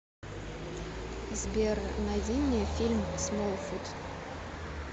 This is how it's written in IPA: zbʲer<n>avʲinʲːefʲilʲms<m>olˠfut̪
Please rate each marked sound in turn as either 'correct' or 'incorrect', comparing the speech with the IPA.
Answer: correct, correct

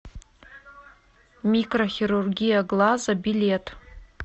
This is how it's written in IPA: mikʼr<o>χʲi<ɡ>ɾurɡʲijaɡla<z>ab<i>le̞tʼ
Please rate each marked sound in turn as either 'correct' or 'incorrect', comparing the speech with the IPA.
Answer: correct, incorrect: none, correct, correct

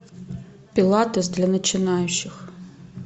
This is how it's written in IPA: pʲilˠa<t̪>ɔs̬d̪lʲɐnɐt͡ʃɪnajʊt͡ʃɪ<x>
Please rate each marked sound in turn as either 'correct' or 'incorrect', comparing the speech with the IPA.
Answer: correct, correct

